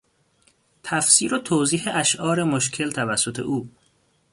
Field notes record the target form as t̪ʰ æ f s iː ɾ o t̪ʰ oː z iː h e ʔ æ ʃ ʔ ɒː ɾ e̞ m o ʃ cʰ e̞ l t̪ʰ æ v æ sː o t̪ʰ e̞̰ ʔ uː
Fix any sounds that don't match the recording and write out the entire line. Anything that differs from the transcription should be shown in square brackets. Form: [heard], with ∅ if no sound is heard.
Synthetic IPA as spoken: t̪ʰ æ f s iː ɾ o t̪ʰ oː z iː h e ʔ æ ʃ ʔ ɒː ɾ e̞ m o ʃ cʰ e̞ l t̪ʰ æ v æ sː o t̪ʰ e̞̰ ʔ uː

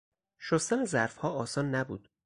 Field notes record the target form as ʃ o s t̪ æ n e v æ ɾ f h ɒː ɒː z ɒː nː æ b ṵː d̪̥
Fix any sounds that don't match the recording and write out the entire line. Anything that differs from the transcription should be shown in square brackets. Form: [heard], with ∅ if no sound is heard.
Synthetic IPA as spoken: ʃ o s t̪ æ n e [z] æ ɾ f h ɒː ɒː [s] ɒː nː æ b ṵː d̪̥

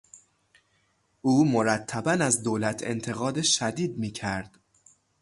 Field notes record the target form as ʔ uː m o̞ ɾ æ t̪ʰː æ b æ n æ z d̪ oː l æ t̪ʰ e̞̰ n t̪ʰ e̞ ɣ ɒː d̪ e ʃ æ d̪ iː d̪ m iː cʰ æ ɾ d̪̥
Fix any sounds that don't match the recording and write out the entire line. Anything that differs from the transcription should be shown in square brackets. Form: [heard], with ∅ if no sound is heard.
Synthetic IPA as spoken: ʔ uː m o̞ ɾ æ t̪ʰː æ b æ n æ z d̪ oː l æ t̪ʰ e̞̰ n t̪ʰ e̞ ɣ ɒː d̪ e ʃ æ d̪ iː d̪ m iː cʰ æ ɾ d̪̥

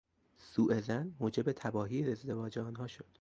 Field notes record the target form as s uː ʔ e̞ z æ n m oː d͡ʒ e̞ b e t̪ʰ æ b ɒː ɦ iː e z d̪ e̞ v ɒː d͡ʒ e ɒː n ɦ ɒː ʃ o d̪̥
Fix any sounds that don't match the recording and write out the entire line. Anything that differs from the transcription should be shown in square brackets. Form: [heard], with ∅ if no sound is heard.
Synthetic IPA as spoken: s uː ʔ e̞ z æ n m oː d͡ʒ e̞ b e t̪ʰ æ b ɒː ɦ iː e z d̪ e̞ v ɒː d͡ʒ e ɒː n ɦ ɒː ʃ o d̪̥

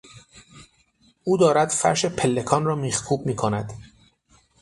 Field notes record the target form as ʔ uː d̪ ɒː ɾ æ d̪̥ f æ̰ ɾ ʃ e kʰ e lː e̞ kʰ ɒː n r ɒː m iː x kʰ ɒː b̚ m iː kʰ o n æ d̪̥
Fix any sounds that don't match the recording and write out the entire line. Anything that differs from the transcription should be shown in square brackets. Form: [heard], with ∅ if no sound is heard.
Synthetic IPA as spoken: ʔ uː d̪ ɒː ɾ æ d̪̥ f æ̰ ɾ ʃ e [pʰ] e lː e̞ kʰ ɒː n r ɒː m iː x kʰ [uː] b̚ m iː kʰ o n æ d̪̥

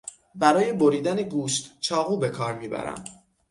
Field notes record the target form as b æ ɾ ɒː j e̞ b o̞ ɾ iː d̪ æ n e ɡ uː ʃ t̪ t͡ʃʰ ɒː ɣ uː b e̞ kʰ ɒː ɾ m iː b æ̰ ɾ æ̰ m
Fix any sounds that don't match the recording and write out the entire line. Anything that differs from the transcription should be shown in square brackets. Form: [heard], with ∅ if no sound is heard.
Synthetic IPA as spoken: b æ ɾ ɒː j e̞ b o̞ ɾ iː d̪ æ n e ɡ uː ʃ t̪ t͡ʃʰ ɒː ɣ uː b e̞ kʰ ɒː ɾ m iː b æ̰ ɾ æ̰ m

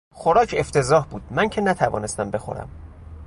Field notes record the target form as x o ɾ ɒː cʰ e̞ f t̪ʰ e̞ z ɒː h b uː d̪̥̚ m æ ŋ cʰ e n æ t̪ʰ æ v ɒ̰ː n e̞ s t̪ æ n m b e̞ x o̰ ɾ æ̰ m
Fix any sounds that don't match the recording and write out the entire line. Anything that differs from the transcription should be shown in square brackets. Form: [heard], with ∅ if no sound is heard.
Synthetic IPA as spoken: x o ɾ ɒː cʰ e̞ f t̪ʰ e̞ z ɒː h b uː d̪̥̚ m æ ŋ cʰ e n æ t̪ʰ æ v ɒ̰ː n e̞ s t̪ æ [∅] m b e̞ x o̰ ɾ æ̰ m

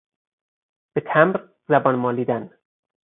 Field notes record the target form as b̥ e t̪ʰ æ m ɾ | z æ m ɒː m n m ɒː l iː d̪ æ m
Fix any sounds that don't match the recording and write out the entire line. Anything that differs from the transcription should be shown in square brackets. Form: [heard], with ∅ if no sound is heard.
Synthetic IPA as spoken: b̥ e t̪ʰ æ m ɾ | z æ [b] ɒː [∅] n m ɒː l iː d̪ æ [n]

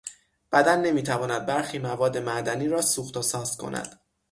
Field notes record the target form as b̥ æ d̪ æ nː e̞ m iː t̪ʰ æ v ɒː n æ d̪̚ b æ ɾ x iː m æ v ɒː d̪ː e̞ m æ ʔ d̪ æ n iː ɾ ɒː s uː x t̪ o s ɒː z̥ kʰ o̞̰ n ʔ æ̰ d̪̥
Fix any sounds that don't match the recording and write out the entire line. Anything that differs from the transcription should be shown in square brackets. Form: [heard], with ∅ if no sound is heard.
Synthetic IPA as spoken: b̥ æ d̪ æ nː e̞ m iː t̪ʰ æ v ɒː n æ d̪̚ b æ ɾ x iː m æ v ɒː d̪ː e̞ m æ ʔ d̪ æ n iː ɾ ɒː s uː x t̪ o s ɒː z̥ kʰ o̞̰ n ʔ æ̰ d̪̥

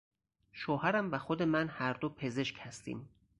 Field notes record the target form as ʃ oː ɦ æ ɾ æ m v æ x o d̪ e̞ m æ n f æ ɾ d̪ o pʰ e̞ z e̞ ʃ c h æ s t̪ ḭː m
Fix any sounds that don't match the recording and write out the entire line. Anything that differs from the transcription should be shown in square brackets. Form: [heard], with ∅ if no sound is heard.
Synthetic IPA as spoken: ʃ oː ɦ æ ɾ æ m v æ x o d̪ e̞ m æ n [h] æ ɾ d̪ o pʰ e̞ z e̞ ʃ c h æ s t̪ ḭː m

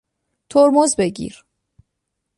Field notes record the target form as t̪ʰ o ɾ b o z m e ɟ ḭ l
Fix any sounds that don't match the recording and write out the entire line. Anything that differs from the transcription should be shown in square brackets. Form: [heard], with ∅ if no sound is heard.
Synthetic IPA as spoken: t̪ʰ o ɾ [m] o z [b] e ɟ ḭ [ɾ]

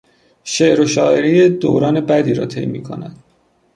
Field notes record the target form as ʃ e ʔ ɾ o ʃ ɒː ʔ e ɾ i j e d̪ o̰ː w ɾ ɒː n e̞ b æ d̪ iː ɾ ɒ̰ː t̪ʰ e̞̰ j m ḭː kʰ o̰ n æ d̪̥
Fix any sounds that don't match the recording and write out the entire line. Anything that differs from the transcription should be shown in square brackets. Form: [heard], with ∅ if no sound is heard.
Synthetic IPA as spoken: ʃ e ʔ ɾ o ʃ ɒː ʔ e ɾ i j e d̪ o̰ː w ɾ ɒː n e̞ b æ d̪ iː ɾ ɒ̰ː t̪ʰ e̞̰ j m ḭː kʰ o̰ n æ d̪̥

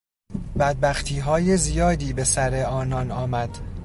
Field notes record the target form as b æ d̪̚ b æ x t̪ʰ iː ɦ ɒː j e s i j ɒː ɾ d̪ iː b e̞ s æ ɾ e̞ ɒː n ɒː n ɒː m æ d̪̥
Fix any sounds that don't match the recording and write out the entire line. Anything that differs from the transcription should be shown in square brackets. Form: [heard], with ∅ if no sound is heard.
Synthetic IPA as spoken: b æ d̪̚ b æ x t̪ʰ iː ɦ ɒː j e [z] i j ɒː [∅] d̪ iː b e̞ s æ ɾ e̞ ɒː n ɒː n ɒː m æ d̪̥

